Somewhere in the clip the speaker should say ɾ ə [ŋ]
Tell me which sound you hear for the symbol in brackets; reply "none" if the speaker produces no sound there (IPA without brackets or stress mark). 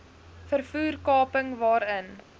n